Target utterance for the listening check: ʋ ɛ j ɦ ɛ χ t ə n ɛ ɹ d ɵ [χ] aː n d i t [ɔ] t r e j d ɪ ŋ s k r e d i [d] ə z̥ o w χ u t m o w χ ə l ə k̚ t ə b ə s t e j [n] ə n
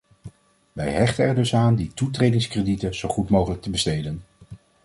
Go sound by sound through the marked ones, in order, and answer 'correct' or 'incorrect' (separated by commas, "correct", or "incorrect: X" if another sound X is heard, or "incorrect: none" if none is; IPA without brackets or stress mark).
incorrect: s, incorrect: u, incorrect: t, incorrect: d